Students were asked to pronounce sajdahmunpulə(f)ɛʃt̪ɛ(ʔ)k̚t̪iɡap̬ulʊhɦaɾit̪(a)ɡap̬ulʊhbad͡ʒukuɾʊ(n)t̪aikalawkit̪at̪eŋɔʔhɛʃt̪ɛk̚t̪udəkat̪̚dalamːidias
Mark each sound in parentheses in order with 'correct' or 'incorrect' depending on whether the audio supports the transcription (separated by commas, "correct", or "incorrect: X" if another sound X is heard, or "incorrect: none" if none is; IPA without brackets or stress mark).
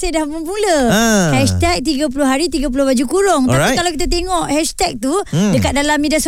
incorrect: h, incorrect: none, incorrect: i, incorrect: ŋ